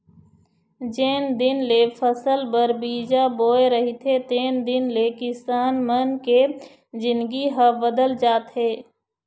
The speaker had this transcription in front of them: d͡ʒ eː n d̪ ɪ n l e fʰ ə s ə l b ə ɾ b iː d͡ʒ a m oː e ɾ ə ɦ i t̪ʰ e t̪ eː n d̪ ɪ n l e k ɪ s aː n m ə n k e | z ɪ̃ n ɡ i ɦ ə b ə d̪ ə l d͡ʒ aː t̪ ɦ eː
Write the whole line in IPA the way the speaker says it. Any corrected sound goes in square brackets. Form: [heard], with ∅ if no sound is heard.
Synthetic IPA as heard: d͡ʒ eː n d̪ ɪ n l e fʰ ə s ə l b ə ɾ b iː d͡ʒ a [b] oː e ɾ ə ɦ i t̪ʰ e t̪ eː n d̪ ɪ n l e k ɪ s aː n m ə n k e | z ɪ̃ n ɡ i ɦ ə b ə d̪ ə l d͡ʒ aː t̪ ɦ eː